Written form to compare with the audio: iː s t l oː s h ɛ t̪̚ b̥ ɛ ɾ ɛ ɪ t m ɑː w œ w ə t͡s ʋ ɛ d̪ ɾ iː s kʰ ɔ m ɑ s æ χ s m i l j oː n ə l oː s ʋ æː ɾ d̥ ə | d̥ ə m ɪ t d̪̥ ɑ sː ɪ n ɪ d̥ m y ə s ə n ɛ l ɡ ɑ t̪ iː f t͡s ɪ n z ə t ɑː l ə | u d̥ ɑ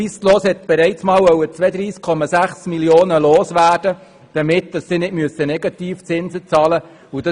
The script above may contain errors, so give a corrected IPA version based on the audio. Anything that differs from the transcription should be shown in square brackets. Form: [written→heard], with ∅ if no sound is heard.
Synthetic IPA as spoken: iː s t l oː s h ɛ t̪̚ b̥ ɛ ɾ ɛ ɪ [t→t͡s] m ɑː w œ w ə t͡s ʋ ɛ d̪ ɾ iː s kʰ ɔ m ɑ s æ χ s m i l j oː n ə l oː s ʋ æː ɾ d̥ ə | d̥ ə m ɪ t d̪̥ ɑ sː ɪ n ɪ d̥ m y ə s ə n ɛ [l→∅] ɡ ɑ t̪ iː f t͡s ɪ n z ə [t→t͡s] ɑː l ə | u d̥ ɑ